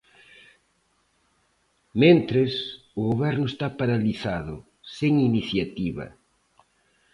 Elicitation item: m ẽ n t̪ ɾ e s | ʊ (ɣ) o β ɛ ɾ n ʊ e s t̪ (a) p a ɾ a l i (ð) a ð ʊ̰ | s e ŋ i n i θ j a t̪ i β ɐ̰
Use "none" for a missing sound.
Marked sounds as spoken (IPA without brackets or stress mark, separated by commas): ɣ, a, θ